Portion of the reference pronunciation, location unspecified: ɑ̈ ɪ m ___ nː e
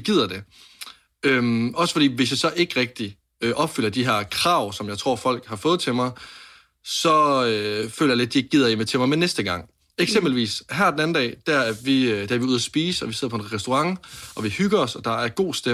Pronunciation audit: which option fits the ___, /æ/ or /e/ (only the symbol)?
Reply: e